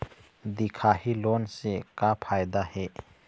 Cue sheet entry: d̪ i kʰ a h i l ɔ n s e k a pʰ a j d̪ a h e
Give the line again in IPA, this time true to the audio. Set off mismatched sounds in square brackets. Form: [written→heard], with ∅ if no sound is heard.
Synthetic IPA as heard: d̪ i kʰ a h i l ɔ n s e k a pʰ a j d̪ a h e